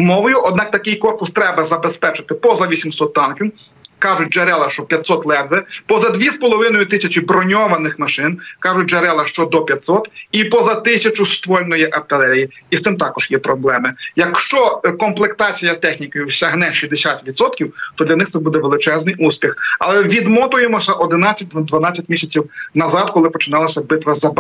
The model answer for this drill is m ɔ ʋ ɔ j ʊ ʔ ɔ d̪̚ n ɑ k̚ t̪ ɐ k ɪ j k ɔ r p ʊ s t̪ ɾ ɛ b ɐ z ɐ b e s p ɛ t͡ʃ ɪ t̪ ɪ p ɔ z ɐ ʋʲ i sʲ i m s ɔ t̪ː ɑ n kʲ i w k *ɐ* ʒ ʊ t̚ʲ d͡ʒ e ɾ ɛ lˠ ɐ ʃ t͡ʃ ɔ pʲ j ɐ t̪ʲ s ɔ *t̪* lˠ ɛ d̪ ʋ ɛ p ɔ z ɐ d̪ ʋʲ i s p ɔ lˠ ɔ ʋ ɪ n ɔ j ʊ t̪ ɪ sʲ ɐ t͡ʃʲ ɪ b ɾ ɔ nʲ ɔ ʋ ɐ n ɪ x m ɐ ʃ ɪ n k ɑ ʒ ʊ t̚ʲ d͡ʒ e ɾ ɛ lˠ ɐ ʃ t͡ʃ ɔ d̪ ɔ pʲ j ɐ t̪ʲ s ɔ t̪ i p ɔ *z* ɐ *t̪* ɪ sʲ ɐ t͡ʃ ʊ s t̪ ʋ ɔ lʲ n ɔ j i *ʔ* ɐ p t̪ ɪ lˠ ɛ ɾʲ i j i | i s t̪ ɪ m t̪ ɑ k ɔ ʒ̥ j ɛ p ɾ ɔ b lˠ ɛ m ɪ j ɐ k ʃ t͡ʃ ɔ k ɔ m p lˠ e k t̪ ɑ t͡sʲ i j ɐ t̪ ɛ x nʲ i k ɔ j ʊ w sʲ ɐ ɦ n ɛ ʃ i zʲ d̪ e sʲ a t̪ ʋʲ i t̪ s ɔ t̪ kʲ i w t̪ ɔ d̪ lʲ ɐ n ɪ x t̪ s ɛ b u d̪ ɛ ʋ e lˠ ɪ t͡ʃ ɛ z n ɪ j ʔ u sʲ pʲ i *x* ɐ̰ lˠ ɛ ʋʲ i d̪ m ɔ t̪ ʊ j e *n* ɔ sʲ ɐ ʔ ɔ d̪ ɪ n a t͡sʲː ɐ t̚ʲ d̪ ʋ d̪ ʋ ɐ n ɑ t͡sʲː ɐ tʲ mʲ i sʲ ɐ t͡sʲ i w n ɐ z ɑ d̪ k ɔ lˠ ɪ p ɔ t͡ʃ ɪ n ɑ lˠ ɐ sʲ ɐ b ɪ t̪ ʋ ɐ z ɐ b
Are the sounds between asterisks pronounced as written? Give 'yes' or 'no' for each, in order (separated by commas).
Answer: no, yes, yes, yes, yes, yes, no